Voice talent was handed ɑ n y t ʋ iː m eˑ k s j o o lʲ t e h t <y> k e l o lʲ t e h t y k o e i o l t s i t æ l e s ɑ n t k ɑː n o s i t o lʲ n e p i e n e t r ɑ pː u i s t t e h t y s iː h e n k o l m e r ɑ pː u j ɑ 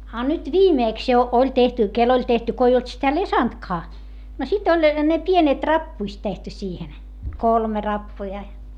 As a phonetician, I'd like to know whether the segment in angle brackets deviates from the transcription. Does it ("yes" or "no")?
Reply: no